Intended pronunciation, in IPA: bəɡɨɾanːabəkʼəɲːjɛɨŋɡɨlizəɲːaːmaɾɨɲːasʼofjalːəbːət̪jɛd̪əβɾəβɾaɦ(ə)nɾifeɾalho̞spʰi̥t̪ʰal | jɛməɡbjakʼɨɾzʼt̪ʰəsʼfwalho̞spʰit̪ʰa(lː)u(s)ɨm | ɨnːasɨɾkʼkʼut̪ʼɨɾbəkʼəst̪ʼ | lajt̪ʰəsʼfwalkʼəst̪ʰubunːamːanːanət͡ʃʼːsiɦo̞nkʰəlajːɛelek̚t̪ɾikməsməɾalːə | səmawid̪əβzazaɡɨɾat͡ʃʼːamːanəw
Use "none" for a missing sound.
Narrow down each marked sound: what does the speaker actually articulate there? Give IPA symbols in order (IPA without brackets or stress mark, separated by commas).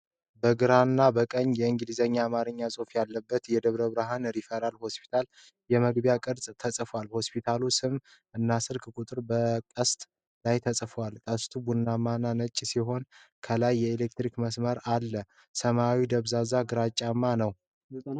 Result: a, l, s